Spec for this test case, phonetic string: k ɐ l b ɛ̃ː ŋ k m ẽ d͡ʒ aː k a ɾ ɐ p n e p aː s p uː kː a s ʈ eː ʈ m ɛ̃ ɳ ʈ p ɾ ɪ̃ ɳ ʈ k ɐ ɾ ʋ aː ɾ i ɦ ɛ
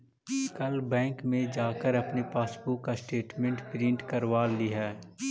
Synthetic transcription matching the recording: k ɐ l b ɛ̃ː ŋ k m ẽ d͡ʒ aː k ə ɾ ɐ p n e p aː s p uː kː a s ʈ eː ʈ m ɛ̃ ɳ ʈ p ɾ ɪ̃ ɳ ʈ k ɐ ɾ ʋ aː l i ɦ ɛː